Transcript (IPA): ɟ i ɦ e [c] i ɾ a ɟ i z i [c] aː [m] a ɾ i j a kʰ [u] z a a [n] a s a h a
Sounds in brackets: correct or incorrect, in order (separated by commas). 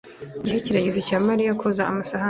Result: correct, correct, correct, incorrect, incorrect